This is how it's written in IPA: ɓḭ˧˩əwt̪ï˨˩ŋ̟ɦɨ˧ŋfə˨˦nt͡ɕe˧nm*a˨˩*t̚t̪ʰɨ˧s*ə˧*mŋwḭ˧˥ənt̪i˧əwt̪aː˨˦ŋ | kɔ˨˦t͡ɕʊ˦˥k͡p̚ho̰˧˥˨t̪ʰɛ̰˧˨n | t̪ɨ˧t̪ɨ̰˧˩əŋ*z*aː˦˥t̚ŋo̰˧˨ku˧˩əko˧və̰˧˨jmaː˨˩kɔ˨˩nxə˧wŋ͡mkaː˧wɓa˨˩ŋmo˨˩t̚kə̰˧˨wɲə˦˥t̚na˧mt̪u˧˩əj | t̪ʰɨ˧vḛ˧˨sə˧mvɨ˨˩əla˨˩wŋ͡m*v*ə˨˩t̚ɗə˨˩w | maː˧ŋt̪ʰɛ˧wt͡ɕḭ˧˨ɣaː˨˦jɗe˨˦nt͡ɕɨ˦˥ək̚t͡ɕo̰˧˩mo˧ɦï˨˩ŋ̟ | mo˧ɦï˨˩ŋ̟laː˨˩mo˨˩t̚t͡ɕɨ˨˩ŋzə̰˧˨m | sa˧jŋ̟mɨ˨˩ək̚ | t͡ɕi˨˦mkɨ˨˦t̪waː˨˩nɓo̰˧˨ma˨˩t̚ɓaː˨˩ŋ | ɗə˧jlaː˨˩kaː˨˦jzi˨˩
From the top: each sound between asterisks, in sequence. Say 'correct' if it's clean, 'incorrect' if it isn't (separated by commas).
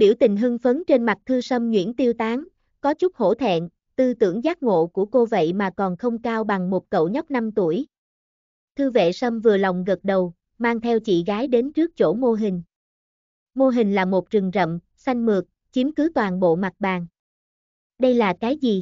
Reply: correct, correct, correct, incorrect